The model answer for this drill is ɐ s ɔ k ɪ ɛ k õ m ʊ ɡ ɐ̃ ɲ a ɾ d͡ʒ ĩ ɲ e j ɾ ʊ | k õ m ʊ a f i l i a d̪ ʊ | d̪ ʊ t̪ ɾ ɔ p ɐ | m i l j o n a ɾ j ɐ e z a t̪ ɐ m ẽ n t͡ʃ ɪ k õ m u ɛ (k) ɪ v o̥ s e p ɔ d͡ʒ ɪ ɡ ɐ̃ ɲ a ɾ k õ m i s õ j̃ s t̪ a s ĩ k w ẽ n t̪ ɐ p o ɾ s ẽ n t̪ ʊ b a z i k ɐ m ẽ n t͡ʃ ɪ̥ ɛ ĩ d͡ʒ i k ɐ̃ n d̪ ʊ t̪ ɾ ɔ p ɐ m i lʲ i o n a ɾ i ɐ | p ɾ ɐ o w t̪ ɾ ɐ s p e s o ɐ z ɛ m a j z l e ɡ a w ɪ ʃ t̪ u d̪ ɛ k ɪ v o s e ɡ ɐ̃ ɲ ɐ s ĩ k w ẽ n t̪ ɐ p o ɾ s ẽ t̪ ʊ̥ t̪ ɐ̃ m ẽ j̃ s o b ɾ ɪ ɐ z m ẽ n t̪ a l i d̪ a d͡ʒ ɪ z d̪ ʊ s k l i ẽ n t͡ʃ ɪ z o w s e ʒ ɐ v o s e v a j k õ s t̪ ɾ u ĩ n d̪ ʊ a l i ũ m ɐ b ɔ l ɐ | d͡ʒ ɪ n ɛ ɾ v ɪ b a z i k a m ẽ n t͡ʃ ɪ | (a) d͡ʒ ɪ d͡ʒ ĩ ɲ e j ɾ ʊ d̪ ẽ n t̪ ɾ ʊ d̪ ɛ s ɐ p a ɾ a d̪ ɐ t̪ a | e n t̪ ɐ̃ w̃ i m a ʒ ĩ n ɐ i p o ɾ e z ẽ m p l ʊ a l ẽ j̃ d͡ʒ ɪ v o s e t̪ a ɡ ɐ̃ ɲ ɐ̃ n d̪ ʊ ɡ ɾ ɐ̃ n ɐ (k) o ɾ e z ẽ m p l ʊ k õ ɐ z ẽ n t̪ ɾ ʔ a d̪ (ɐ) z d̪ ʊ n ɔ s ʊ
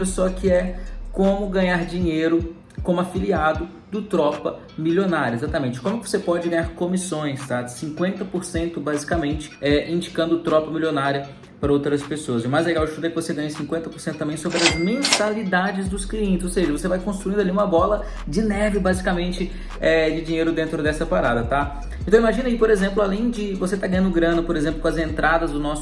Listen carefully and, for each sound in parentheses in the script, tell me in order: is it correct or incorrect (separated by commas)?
correct, incorrect, incorrect, correct